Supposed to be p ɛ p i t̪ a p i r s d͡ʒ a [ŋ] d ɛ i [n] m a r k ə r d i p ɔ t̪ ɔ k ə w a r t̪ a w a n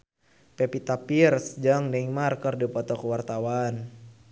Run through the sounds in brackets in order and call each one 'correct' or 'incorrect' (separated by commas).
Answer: correct, incorrect